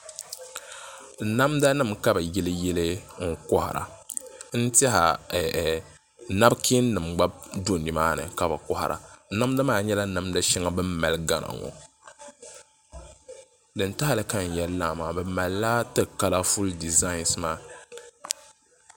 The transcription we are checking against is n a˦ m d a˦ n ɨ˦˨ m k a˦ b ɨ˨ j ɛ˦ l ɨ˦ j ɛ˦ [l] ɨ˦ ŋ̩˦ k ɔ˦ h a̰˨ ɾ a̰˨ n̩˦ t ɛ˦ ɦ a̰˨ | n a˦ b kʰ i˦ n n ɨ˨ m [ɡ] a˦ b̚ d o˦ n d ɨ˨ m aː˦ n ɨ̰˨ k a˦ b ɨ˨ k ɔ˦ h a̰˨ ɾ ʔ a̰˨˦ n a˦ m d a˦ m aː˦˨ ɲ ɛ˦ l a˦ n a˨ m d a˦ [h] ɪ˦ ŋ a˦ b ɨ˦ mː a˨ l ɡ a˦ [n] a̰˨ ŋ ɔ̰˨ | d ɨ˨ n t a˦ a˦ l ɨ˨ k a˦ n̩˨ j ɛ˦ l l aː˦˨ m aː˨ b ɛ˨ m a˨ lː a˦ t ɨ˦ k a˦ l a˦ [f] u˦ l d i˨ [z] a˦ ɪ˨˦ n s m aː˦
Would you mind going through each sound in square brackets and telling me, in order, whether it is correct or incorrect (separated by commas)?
correct, incorrect, incorrect, correct, correct, correct